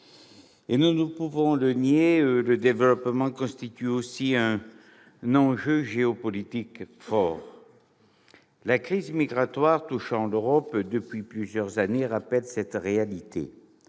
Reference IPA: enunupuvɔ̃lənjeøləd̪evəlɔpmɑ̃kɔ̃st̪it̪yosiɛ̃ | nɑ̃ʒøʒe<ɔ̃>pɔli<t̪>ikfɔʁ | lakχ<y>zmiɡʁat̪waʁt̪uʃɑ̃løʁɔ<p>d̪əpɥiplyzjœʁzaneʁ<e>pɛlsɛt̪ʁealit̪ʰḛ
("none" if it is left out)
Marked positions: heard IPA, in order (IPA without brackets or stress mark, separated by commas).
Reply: ɔ, t̪, i, p, a